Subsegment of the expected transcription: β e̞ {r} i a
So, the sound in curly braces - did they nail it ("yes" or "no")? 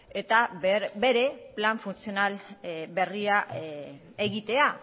yes